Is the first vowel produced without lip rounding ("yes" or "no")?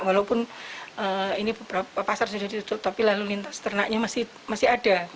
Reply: yes